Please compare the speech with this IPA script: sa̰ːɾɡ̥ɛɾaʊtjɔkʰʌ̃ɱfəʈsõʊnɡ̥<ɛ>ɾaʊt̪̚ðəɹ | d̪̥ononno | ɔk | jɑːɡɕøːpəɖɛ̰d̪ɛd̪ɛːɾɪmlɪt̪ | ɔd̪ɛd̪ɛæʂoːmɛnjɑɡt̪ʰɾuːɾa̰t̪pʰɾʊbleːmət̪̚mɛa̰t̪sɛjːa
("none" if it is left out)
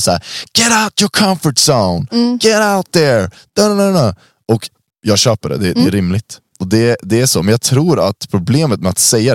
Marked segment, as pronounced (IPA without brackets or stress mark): ɛ